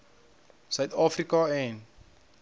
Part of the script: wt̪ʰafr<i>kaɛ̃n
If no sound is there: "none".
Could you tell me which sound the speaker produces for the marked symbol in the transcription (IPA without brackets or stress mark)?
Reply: i